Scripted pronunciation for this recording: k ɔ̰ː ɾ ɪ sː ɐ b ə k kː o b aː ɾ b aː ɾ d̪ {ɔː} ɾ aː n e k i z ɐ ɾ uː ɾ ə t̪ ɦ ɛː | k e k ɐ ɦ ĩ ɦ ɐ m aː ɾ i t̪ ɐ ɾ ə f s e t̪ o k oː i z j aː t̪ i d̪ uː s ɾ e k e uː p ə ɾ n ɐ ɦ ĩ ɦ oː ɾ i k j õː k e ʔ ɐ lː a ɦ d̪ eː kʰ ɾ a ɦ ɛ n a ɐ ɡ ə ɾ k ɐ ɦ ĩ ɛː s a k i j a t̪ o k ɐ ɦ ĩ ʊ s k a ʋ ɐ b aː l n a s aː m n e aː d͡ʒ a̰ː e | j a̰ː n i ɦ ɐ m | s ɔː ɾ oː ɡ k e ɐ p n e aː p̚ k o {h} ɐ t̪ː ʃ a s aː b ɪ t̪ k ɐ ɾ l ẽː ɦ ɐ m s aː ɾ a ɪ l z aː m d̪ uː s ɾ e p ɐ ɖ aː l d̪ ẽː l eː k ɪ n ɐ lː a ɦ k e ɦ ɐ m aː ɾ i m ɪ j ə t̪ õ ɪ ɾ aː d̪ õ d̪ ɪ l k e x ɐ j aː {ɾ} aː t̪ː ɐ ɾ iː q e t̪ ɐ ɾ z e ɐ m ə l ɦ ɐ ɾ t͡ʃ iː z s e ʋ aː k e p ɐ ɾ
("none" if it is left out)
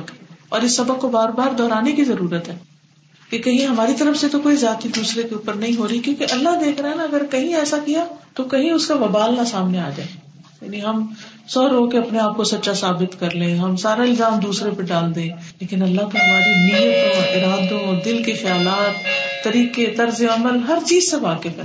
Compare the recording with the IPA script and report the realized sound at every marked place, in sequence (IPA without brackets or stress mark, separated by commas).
ɔː, s, l